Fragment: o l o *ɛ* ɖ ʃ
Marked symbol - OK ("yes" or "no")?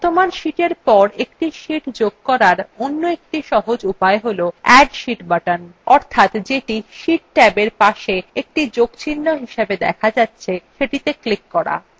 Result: yes